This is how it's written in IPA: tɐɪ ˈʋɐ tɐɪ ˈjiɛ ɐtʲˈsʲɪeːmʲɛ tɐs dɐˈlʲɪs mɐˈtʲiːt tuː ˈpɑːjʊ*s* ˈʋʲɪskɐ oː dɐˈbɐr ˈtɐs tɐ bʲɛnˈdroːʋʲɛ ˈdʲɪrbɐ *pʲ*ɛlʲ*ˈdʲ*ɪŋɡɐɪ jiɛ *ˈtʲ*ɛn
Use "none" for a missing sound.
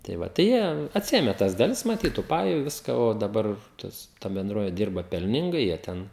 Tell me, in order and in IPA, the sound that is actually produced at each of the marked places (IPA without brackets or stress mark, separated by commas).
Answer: none, pʲ, nʲ, tʲ